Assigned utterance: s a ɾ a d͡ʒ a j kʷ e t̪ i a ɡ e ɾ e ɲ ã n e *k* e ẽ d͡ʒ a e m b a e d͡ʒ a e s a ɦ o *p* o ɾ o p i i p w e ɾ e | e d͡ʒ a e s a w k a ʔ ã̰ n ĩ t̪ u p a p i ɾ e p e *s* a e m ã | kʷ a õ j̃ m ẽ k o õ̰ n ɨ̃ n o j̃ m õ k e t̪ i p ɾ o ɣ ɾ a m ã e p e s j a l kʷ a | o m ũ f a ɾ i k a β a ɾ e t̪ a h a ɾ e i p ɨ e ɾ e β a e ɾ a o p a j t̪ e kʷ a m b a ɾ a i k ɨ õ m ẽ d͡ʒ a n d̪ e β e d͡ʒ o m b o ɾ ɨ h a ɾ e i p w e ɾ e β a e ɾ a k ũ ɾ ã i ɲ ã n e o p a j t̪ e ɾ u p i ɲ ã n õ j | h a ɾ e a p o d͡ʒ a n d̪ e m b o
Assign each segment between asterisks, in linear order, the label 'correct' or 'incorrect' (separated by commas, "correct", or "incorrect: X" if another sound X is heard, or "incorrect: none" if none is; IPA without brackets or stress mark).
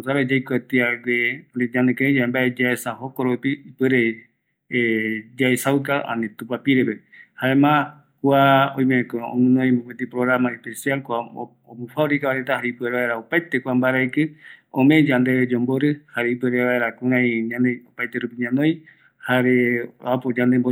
correct, incorrect: k, incorrect: h